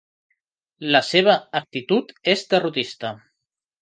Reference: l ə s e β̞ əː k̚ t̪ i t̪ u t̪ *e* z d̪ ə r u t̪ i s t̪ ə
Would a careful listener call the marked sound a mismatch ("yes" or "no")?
no